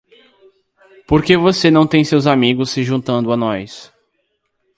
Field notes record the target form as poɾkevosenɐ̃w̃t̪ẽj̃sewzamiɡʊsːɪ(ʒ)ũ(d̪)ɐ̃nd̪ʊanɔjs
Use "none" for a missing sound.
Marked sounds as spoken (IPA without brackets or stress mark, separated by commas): ʒ, t̪